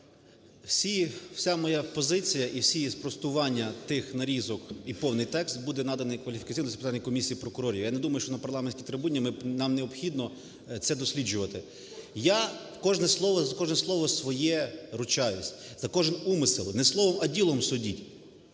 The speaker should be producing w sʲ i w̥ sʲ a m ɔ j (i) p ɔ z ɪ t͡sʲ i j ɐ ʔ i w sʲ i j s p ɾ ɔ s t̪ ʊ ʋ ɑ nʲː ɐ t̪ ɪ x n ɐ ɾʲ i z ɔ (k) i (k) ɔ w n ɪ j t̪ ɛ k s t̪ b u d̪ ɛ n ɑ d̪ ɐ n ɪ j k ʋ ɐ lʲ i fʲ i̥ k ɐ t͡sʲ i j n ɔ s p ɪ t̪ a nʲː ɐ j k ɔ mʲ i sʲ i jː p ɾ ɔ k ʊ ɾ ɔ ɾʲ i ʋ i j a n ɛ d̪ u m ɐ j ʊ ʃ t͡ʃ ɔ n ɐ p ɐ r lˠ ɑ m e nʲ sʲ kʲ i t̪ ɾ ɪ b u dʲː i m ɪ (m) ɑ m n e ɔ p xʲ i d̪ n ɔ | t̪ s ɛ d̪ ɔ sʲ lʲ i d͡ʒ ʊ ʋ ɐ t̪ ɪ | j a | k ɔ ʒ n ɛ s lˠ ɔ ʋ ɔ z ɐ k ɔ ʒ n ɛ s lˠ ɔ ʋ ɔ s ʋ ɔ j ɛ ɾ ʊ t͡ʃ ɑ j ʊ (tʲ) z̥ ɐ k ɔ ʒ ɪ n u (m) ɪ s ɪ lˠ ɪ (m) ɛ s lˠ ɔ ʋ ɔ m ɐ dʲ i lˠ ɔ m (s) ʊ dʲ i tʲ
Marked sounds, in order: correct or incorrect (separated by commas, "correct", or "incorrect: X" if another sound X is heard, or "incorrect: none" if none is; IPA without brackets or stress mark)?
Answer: incorrect: a, correct, incorrect: p, incorrect: n, incorrect: sʲ, correct, incorrect: n, correct